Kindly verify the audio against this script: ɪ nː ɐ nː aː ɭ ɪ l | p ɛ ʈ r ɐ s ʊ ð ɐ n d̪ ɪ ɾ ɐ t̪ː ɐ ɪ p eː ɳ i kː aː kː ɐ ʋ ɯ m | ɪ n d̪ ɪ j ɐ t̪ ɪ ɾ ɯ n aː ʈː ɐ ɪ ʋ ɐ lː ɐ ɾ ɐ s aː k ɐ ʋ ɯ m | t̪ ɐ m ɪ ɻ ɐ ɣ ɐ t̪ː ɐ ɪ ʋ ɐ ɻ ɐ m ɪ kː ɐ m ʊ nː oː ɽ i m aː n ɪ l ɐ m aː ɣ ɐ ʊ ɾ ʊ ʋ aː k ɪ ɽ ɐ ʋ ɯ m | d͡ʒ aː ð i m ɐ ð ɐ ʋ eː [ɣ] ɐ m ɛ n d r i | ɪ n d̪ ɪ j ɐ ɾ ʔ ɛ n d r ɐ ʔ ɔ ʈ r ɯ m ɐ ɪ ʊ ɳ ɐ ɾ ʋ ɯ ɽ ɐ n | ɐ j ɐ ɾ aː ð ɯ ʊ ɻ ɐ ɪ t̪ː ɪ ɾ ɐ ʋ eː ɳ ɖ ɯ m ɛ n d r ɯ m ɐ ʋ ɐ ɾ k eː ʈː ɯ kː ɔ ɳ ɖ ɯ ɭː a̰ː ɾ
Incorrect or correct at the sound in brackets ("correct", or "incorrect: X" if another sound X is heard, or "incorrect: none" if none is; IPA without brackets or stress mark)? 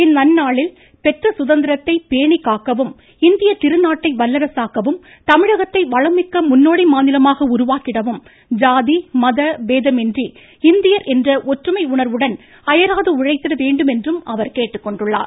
incorrect: ð